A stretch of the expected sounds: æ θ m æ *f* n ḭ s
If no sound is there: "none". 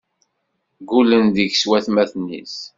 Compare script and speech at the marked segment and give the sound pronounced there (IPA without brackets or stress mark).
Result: θ